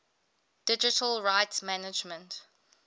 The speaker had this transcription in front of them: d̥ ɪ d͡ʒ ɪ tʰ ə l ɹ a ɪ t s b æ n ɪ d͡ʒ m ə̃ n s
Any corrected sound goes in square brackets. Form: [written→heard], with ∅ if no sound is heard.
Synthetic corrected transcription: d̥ ɪ d͡ʒ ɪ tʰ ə l ɹ a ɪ t s [b→m] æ n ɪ d͡ʒ m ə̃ n [s→t]